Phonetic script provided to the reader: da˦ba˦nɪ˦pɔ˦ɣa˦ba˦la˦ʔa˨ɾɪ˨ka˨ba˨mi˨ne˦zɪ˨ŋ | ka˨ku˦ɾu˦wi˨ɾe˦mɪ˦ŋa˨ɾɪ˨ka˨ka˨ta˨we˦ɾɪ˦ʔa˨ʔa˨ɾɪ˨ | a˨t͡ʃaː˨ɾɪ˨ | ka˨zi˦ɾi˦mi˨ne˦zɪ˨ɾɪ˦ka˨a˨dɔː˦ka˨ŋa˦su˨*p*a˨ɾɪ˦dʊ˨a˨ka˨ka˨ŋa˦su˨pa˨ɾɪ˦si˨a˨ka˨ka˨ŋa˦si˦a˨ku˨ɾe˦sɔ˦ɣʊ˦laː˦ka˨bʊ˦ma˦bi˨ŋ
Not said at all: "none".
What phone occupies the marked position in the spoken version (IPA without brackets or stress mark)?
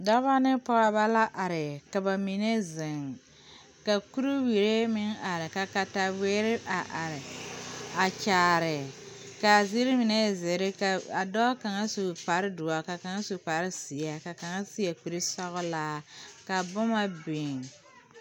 p